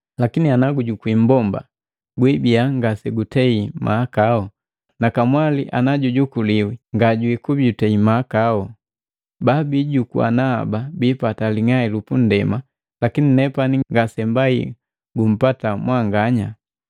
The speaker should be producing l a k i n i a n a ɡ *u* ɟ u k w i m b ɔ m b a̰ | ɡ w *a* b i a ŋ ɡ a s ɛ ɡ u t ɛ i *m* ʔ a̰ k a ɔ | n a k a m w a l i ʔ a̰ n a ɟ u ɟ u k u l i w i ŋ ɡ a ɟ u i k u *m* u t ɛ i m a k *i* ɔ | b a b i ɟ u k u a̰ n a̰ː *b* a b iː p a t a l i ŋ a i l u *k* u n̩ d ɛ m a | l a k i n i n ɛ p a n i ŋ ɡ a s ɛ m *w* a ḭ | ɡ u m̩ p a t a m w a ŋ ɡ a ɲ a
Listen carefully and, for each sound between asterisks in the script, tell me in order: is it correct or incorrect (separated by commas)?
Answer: correct, incorrect, correct, incorrect, incorrect, correct, incorrect, incorrect